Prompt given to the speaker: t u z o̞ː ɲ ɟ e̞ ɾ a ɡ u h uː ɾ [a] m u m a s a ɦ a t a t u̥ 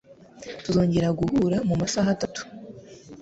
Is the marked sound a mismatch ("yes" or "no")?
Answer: no